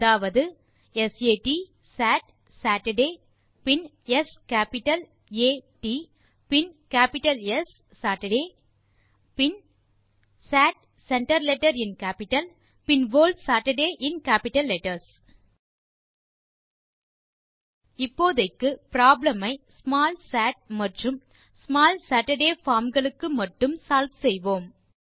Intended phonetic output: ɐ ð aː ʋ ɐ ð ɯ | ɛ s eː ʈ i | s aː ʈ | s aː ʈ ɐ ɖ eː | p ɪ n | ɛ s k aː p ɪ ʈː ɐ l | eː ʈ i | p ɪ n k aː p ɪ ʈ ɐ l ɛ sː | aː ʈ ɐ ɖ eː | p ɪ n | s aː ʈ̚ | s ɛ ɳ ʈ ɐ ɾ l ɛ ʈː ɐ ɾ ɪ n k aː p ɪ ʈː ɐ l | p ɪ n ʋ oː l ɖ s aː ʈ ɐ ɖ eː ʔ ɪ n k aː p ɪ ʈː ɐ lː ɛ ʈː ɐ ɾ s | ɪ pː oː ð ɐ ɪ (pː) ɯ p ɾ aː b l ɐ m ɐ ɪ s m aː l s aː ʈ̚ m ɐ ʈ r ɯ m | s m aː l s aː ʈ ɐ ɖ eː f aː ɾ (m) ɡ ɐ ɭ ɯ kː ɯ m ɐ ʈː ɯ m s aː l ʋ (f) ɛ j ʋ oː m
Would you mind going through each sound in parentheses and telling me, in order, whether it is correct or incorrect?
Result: incorrect: kː, correct, incorrect: s

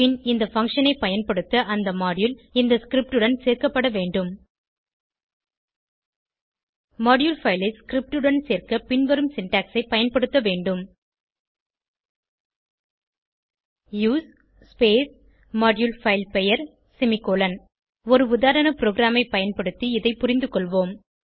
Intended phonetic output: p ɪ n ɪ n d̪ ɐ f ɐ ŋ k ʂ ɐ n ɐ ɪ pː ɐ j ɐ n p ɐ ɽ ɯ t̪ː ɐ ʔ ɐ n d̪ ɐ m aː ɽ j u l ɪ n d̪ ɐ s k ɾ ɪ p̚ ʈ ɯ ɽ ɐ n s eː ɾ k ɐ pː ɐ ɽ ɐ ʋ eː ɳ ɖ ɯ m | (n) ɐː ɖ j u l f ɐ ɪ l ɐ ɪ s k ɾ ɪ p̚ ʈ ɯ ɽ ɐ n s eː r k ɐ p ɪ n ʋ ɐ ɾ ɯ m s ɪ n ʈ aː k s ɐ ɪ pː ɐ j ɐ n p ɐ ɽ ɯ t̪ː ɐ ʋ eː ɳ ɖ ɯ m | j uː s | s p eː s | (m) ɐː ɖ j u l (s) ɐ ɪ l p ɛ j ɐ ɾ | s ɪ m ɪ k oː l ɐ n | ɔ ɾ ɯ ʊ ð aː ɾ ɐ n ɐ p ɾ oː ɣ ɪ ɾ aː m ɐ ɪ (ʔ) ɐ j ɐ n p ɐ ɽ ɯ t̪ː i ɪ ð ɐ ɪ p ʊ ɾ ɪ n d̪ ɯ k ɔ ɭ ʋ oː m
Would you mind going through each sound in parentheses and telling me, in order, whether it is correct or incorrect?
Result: incorrect: m, correct, incorrect: f, incorrect: p

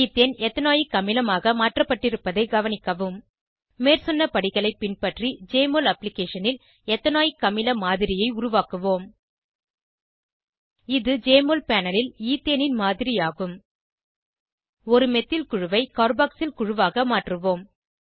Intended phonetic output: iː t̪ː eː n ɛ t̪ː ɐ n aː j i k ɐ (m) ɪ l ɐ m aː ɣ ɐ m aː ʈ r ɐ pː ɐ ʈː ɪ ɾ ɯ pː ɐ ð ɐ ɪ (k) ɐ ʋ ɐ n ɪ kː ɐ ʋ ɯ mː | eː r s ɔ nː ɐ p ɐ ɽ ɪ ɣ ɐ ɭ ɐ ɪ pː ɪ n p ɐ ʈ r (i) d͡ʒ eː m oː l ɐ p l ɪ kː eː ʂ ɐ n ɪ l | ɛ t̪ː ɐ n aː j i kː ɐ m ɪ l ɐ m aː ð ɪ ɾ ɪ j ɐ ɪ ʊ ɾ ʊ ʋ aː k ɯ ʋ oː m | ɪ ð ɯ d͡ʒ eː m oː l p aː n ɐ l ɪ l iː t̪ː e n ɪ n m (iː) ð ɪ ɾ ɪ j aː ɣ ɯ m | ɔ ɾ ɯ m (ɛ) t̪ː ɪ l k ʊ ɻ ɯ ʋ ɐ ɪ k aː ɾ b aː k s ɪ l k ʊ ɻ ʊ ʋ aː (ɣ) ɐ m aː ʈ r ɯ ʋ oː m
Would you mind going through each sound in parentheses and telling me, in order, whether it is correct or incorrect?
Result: correct, incorrect: ɡ, correct, incorrect: aː, correct, correct

